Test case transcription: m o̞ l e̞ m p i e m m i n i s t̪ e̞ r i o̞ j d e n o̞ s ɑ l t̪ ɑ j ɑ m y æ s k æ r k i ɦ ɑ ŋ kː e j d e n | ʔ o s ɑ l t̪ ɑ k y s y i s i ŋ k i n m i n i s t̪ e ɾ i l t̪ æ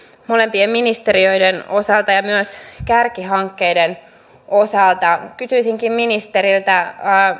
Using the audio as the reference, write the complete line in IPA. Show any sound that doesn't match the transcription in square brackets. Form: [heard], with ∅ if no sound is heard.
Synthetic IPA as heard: m o̞ l e̞ m p i e m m i n i s t̪ e̞ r i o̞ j d e n o̞ s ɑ l t̪ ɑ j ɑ m y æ s k æ r k i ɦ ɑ ŋ kː e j d e n | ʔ o s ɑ l t̪ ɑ k y s y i s i ŋ k i [m] m i n i s t̪ e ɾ i l t̪ æ